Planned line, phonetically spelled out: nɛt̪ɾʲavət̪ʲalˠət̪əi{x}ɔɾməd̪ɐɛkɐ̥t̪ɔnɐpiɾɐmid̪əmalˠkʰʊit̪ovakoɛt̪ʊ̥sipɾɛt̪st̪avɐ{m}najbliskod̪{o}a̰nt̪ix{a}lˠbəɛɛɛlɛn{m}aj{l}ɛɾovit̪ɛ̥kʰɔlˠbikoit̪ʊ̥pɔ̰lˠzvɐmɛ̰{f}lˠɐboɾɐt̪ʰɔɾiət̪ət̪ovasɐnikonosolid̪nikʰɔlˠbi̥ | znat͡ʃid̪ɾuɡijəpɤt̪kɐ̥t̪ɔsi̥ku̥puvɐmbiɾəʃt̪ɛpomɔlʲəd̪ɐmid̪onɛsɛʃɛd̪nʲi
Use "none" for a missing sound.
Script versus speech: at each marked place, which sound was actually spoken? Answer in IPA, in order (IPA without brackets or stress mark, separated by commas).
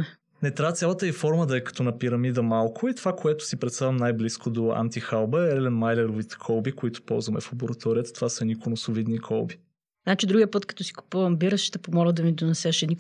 f, m, o, a, m, l, f